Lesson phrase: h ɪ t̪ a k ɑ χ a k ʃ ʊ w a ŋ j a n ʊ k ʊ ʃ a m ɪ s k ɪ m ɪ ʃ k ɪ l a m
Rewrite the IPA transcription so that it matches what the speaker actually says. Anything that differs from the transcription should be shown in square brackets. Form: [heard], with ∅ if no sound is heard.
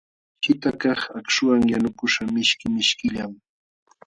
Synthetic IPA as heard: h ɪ t̪ a k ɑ χ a k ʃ ʊ w a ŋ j a n ʊ k ʊ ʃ a m ɪ [ʃ] k ɪ m ɪ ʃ k ɪ [ʎ] a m